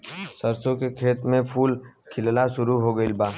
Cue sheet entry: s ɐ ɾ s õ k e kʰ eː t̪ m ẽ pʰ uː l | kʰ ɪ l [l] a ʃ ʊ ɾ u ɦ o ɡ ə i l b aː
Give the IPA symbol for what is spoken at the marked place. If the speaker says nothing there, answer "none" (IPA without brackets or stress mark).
l